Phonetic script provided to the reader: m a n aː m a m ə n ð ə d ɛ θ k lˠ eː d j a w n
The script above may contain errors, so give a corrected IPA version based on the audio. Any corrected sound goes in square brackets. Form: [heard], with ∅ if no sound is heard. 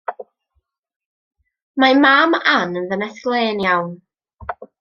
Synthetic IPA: m a [m] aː m a [n] ə n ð ə [n] ɛ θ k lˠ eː [n] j a w n